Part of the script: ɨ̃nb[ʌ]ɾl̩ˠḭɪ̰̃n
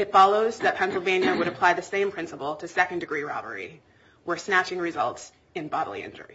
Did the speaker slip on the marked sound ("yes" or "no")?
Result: yes